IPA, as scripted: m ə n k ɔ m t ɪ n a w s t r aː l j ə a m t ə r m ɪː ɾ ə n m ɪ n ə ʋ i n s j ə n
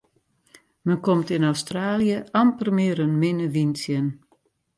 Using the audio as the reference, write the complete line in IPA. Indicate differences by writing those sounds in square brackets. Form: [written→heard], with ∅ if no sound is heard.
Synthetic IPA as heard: m ə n k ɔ m t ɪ n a w s t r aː l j ə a m [t→p] ə r m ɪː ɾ ə n m ɪ n ə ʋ i n s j ə n